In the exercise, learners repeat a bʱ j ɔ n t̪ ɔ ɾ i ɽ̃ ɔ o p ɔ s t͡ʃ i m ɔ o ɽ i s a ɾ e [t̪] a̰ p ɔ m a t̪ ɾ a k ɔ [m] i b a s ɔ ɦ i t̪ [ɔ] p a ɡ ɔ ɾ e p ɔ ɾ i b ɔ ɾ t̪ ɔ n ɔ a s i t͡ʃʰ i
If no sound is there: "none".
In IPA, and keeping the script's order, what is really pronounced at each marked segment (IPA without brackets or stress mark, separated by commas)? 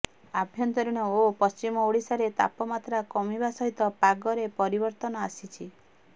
t̪, m, ɔ